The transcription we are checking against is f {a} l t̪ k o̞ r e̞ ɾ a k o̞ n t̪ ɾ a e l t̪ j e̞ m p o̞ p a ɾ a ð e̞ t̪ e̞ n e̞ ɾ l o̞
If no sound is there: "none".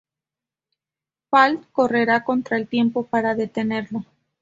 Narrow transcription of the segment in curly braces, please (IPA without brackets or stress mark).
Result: a